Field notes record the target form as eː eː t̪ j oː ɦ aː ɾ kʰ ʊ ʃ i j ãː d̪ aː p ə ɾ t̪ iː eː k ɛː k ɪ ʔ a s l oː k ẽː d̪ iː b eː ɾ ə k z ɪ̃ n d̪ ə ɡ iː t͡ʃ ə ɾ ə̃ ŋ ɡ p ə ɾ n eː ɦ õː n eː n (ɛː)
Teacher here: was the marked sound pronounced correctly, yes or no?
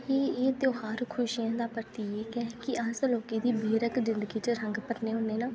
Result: no